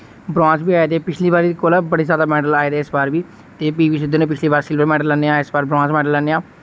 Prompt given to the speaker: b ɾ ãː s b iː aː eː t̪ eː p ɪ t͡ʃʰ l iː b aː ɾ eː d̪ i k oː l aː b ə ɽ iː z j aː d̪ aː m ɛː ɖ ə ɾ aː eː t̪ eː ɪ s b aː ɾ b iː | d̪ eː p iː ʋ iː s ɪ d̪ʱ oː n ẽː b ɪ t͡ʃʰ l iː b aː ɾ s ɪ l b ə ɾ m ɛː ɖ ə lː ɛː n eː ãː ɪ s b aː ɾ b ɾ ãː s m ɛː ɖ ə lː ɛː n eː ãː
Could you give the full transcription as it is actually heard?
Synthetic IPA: b ɾ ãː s b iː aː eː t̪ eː p ɪ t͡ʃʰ l iː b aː ɾ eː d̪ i k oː l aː b ə ɽ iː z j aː d̪ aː m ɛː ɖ ə l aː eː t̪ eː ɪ s b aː ɾ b iː | t̪ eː p iː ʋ iː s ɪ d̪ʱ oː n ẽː p ɪ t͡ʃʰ l iː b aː ɾ s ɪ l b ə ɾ m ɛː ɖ ə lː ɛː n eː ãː ɪ s b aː ɾ b ɾ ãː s m ɛː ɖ ə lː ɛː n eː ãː